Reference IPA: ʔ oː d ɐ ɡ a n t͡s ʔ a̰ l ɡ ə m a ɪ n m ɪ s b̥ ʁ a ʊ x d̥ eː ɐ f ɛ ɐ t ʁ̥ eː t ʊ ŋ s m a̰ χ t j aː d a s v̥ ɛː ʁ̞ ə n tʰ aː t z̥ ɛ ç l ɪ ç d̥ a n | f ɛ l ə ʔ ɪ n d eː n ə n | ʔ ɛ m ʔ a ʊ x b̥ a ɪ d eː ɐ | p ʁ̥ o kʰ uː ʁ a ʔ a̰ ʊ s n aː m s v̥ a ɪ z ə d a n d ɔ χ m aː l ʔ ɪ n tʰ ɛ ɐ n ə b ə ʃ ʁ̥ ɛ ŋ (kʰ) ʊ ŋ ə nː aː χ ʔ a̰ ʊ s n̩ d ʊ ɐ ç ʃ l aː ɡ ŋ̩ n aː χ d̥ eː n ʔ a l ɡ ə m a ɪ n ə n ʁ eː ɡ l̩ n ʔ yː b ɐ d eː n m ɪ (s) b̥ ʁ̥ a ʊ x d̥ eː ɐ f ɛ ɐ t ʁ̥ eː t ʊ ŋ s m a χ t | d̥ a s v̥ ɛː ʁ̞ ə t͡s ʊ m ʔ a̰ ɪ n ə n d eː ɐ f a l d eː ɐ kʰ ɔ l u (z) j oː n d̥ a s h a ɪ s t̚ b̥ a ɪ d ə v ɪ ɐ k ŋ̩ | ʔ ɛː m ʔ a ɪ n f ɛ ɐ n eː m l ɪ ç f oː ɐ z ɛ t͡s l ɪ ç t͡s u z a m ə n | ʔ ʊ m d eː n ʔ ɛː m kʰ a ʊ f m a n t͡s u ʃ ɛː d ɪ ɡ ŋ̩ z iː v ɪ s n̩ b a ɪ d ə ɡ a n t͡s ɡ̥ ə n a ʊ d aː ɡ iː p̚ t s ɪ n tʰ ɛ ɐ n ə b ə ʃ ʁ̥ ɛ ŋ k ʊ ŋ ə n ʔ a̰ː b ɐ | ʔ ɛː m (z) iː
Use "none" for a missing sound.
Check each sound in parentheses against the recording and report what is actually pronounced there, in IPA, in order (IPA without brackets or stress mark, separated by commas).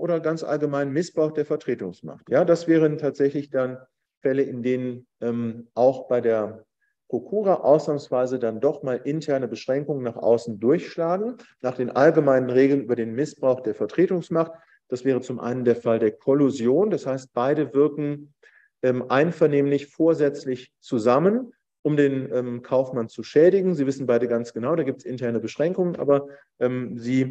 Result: k, s, z, z